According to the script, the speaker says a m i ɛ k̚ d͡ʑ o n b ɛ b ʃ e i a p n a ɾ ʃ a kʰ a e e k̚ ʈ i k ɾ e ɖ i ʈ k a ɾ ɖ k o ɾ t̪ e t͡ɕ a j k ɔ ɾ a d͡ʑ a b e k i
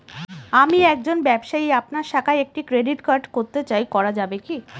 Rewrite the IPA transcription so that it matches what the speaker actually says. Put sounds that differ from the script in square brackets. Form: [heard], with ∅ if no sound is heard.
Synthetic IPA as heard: a m i ɛ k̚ d͡ʑ o n b ɛ b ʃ [a] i a p n a ɾ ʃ a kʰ a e e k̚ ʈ i k ɾ e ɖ i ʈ k a ɾ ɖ k o ɾ t̪ e t͡ɕ a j k ɔ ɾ a d͡ʑ a b e k i